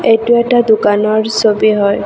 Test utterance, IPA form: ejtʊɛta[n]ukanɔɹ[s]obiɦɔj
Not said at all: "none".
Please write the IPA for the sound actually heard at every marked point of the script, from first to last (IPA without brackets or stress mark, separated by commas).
d, s